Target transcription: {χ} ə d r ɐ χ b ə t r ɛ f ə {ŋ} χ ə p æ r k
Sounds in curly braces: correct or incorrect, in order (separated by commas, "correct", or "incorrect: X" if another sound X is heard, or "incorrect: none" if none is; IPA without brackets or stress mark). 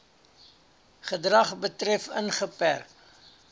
correct, incorrect: n